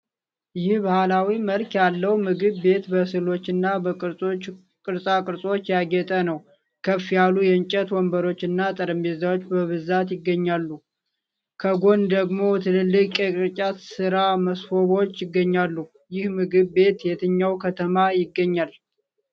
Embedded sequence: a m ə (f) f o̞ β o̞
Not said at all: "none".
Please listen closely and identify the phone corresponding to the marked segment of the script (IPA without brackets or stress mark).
s